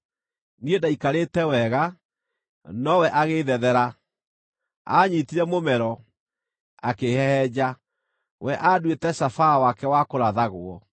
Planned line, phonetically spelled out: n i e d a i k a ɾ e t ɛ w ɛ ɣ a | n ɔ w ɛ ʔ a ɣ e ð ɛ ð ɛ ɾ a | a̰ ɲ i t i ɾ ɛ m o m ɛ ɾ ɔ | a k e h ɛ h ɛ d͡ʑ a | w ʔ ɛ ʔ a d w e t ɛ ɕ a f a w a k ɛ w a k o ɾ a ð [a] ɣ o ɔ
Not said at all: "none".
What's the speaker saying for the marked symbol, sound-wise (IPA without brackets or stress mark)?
a